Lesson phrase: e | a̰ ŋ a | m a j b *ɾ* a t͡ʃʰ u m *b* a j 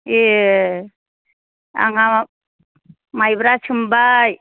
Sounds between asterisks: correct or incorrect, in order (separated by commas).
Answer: correct, correct